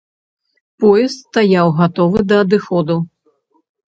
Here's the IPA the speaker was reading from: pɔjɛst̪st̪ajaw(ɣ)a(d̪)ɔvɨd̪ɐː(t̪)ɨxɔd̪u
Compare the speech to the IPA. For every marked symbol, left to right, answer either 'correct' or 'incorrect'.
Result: correct, incorrect, incorrect

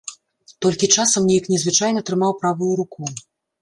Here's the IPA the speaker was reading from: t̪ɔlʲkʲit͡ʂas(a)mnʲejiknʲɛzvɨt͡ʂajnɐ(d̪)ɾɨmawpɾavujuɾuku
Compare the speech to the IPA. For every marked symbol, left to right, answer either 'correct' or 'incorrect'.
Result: incorrect, incorrect

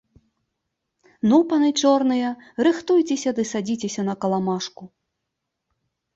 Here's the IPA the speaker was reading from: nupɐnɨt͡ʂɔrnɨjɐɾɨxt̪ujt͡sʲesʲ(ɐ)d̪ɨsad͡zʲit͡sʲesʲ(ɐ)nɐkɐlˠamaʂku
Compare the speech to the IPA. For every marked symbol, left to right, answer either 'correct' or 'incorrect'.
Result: correct, correct

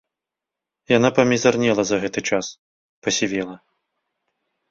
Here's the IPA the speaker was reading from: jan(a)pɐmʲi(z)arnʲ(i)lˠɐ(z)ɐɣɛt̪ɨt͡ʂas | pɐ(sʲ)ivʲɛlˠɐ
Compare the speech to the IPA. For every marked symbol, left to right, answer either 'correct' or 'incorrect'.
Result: correct, correct, incorrect, correct, correct

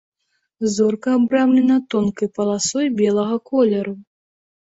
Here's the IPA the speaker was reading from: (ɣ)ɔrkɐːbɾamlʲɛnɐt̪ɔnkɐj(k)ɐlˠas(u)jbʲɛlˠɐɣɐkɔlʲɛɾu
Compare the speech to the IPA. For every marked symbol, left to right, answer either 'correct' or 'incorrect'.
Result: incorrect, incorrect, incorrect

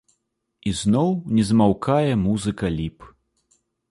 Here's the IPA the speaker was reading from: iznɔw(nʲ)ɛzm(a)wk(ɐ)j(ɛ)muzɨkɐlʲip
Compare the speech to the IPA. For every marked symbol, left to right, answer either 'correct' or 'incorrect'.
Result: correct, correct, incorrect, correct

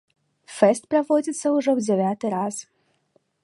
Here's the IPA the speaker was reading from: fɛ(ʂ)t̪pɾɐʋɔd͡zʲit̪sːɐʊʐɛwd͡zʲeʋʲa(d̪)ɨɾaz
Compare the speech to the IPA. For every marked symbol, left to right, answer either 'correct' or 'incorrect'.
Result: incorrect, incorrect

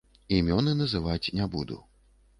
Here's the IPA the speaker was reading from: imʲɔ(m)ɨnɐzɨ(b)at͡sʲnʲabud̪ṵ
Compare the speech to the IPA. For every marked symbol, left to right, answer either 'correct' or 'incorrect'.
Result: incorrect, incorrect

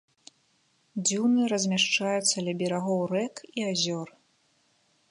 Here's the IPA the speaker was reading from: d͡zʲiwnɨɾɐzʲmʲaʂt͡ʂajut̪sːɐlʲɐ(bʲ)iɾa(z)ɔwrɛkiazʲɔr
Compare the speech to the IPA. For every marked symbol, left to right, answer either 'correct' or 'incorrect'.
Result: correct, incorrect

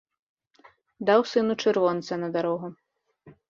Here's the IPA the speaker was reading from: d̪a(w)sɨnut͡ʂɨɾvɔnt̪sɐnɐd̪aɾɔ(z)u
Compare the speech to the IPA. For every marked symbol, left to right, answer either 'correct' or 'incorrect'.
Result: correct, incorrect

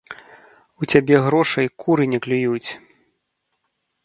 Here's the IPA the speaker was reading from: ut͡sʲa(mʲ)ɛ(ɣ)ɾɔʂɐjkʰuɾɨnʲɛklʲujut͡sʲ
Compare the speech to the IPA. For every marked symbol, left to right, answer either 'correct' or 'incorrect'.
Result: incorrect, correct

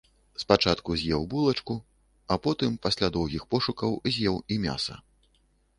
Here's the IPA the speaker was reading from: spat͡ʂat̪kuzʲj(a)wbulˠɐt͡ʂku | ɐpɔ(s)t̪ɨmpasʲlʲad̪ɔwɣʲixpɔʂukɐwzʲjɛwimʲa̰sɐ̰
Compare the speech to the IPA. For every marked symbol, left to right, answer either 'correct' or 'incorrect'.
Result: incorrect, incorrect

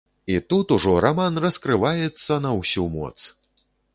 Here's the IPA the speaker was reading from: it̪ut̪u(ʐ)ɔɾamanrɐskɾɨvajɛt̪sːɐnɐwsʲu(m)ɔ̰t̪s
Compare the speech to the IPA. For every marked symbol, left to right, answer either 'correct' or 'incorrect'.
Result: correct, correct

